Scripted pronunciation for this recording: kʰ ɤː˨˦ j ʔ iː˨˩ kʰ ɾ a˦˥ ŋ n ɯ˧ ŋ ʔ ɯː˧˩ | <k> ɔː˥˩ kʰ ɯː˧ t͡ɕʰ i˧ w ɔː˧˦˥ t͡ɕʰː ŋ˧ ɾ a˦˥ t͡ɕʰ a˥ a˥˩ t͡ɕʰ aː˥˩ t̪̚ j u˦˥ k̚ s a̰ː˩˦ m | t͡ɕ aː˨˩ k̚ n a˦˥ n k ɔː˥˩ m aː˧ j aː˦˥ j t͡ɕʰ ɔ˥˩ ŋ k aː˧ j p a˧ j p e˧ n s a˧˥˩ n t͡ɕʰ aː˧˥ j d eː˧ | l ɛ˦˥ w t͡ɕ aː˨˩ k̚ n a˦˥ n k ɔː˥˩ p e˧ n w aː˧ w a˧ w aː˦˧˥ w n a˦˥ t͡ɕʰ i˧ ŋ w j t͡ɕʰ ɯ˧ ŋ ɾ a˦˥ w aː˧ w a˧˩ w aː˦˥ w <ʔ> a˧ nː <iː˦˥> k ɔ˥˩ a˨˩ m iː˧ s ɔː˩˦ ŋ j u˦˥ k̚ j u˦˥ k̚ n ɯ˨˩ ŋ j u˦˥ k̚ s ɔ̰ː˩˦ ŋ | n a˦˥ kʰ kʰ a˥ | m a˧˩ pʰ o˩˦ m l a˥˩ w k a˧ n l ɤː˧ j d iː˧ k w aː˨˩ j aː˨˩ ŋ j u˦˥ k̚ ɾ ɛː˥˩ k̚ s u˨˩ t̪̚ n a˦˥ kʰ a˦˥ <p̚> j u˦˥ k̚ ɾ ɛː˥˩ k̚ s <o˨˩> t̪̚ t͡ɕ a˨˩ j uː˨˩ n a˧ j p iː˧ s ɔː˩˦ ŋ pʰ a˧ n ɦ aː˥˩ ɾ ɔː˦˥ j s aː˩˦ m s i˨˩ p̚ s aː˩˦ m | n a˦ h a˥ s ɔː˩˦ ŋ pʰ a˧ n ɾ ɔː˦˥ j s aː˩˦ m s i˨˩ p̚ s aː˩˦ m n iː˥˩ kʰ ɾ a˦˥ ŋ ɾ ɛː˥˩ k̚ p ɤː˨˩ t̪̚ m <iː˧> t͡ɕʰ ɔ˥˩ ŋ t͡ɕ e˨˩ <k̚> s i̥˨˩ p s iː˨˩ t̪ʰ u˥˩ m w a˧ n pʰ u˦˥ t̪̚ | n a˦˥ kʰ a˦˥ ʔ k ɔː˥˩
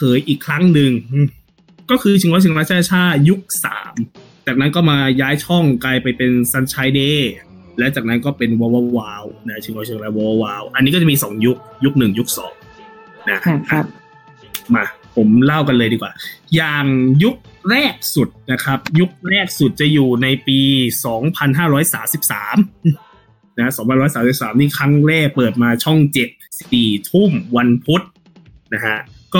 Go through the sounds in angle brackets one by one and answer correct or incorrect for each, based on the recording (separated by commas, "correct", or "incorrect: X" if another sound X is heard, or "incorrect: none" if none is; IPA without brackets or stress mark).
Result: correct, correct, incorrect: i˦˥, correct, incorrect: u˨˩, incorrect: aː˧, incorrect: p̚